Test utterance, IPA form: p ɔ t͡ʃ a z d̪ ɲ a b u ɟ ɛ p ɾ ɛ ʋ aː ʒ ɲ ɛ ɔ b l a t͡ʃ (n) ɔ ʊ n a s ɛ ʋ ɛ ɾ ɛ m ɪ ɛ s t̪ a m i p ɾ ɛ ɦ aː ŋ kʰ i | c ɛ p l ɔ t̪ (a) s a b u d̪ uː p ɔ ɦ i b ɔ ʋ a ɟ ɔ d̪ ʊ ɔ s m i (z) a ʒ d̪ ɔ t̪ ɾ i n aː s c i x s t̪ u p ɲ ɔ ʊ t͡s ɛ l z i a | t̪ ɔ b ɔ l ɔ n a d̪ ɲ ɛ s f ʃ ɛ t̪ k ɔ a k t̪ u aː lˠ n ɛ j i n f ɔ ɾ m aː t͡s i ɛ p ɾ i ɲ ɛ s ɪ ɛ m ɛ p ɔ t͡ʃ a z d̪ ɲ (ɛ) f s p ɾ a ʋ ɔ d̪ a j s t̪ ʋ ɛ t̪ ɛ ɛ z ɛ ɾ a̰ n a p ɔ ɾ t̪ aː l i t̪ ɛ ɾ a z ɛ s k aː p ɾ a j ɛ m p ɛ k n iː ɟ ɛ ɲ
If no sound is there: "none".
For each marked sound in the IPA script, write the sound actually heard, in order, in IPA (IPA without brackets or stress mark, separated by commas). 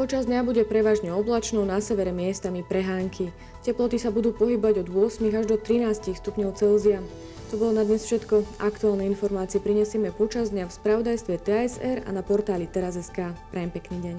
n, i, ɣ, a